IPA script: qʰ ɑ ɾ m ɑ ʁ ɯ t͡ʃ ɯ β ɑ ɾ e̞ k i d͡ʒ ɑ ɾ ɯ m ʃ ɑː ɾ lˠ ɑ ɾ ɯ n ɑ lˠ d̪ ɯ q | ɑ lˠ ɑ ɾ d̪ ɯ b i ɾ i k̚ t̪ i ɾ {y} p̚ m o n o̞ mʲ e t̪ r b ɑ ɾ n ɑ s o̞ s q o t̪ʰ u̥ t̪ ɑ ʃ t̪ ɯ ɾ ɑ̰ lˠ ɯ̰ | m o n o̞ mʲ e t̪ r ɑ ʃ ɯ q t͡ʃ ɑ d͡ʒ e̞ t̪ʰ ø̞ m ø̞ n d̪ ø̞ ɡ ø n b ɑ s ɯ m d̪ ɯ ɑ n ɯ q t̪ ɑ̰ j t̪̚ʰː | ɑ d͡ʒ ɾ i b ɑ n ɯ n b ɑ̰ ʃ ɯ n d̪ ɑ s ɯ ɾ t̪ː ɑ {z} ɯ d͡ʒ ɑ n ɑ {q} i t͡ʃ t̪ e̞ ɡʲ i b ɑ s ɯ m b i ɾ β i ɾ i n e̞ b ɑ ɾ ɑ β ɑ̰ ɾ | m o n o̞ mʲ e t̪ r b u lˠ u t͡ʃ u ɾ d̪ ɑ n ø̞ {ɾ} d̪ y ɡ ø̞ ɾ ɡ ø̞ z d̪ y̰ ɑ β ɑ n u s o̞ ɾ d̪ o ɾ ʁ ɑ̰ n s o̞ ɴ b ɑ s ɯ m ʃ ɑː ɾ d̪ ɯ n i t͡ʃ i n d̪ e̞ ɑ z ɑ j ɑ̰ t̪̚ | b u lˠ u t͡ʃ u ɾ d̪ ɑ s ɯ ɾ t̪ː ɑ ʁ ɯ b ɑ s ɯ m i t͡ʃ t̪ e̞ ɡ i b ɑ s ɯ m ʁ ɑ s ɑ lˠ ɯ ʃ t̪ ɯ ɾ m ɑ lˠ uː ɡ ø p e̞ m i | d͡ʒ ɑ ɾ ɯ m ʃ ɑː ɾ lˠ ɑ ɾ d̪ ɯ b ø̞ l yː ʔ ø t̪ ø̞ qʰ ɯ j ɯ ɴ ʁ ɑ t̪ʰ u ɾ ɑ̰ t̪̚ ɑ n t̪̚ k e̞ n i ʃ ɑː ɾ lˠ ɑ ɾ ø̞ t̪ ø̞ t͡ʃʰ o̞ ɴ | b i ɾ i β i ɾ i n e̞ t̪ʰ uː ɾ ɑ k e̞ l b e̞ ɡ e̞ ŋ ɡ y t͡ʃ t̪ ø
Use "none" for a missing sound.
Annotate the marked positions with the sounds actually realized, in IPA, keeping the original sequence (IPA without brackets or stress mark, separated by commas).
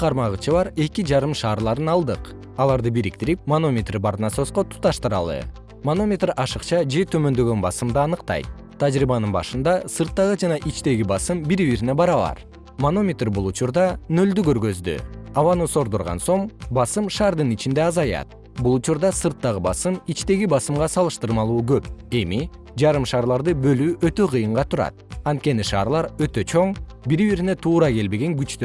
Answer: i, ʁ, ʔ, l